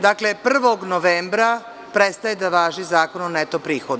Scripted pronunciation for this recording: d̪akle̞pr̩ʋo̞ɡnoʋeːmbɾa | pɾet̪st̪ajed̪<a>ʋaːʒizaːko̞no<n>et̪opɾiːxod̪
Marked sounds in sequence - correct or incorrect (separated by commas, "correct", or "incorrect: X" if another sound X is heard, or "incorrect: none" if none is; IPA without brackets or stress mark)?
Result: correct, correct